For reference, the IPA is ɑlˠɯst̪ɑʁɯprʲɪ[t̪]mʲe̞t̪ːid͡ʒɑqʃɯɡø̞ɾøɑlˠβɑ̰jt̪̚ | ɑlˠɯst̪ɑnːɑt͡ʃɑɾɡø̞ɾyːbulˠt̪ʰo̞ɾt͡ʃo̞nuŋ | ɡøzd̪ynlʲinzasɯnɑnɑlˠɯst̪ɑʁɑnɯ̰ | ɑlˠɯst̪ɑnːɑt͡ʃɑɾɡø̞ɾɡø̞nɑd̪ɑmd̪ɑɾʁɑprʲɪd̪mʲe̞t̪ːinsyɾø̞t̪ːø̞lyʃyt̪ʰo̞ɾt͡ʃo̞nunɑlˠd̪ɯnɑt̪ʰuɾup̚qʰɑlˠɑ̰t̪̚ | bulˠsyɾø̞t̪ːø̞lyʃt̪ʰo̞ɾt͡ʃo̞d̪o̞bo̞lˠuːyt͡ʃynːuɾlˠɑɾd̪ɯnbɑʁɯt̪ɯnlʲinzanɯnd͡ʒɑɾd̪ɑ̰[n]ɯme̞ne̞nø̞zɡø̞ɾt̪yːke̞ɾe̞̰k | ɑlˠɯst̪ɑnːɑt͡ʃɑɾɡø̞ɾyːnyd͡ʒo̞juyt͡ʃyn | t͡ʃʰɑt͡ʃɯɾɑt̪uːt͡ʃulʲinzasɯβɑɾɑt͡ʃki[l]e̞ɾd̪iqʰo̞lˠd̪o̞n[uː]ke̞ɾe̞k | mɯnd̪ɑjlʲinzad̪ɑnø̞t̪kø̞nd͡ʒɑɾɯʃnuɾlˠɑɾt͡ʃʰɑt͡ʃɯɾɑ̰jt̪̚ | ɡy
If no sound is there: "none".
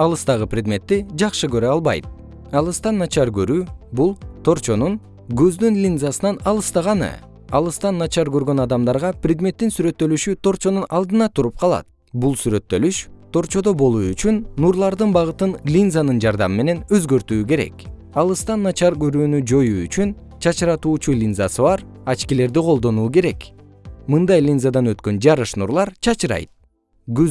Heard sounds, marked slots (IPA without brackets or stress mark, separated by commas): d̪, m, l, uː